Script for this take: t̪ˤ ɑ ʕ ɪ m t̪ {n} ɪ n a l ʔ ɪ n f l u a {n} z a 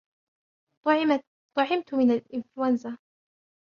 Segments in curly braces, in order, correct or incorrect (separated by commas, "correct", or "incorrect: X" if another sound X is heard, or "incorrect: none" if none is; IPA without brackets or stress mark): incorrect: m, correct